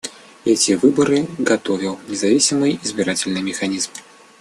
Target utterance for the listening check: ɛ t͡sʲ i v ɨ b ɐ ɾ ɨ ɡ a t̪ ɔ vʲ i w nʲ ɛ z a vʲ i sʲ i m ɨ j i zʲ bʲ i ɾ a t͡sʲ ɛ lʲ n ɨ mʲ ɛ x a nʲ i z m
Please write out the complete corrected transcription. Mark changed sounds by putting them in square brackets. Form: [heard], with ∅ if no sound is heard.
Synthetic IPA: ɛ t͡sʲ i v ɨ b ɐ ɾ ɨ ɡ a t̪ ɔ vʲ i w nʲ ɛ z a vʲ i sʲ i m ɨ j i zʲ bʲ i ɾ a t͡sʲ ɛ lʲ n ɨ mʲ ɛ x a nʲ i z m